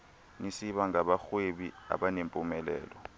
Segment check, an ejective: present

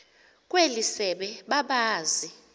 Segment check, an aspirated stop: absent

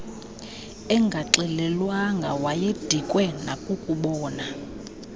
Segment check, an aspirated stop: absent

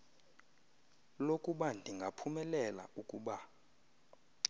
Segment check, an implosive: present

